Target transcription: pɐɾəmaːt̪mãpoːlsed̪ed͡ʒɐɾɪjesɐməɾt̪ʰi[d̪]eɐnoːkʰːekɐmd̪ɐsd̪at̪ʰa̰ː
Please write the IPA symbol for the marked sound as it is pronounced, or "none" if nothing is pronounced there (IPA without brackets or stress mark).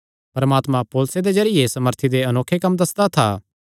d̪